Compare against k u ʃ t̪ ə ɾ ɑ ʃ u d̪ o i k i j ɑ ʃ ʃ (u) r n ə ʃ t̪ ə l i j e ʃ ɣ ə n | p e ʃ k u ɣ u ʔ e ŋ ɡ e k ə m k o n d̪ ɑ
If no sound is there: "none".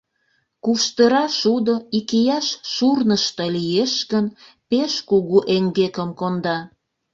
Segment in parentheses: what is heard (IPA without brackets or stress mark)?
u